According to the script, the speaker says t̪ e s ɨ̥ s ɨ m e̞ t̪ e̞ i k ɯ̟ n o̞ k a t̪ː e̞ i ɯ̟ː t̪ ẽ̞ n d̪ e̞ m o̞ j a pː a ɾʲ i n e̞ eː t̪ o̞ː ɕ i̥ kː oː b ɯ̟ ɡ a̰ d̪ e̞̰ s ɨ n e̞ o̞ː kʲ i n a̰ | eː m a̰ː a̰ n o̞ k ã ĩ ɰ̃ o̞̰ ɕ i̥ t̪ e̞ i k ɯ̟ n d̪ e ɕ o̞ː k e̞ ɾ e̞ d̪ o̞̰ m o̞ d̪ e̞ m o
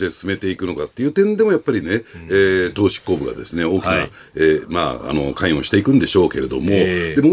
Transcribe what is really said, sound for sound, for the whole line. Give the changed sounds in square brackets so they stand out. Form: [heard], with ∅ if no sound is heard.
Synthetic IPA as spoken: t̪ e s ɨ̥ s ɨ m e̞ t̪ e̞ i k ɯ̟ n o̞ k a t̪ː e̞ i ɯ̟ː t̪ ẽ̞ n d̪ e̞ m o̞ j a pː a ɾʲ i n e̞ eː t̪ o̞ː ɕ i̥ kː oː b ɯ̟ ɡ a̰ d̪ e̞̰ s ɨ n e̞ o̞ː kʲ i n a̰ | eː m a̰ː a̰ n o̞ k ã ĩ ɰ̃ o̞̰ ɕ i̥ t̪ e̞ i k ɯ̟ n d̪ e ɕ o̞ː k e̞ ɾ e̞ d̪ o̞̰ m o̞ d̪ e̞ m o